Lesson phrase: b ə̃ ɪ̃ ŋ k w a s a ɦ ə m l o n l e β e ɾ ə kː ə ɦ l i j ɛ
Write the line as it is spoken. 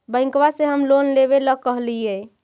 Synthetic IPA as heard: b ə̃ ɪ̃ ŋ k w a s e ɦ ə m l o n l e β e l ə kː ə ɦ l i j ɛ